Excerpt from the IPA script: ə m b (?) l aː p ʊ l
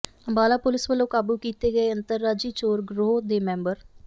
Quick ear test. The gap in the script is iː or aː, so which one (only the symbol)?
aː